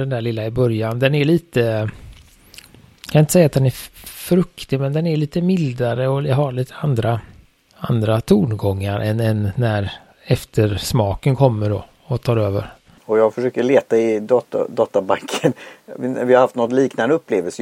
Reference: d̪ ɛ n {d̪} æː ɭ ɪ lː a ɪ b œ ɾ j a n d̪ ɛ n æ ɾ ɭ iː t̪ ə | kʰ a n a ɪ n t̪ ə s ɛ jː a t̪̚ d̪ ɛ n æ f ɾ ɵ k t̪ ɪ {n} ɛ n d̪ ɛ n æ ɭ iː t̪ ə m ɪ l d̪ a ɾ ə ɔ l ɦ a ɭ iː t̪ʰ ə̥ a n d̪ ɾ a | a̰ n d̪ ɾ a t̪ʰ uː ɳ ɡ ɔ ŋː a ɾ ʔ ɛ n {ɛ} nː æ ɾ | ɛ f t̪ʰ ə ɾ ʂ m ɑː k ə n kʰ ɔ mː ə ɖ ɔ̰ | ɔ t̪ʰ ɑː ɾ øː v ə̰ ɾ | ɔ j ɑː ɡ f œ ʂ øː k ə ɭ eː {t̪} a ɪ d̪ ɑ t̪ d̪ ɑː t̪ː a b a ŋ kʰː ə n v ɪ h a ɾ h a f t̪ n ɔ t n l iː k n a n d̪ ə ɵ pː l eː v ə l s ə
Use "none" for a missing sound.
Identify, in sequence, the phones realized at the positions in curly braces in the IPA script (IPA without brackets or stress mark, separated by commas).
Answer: d̪, m, ɛ, t̪